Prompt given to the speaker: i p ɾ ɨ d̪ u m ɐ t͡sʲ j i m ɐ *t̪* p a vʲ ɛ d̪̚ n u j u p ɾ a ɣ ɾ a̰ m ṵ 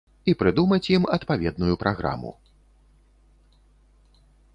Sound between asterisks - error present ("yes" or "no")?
no